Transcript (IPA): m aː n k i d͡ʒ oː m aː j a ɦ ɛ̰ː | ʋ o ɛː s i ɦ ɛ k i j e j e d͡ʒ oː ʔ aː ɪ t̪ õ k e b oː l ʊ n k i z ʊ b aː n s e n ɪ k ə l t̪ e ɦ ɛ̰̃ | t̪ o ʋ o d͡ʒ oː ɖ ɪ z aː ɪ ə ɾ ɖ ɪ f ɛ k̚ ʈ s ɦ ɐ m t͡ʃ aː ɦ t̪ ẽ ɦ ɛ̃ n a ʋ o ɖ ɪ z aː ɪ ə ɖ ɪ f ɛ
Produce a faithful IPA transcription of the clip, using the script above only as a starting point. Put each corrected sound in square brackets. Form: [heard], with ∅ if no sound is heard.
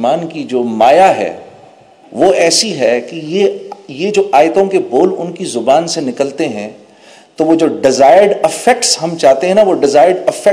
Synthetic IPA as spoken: m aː n k i d͡ʒ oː m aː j a ɦ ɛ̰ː | ʋ o ɛː s i ɦ ɛ k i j e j e d͡ʒ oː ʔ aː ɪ t̪ õ k e b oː l ʊ n k i z ʊ b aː n s e n ɪ k ə l t̪ e ɦ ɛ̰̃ | t̪ o ʋ o d͡ʒ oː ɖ ɪ z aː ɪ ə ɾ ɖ ɪ f ɛ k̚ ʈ s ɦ ɐ m t͡ʃ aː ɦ t̪ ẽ ɦ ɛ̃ n a ʋ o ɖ ɪ z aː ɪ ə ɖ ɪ f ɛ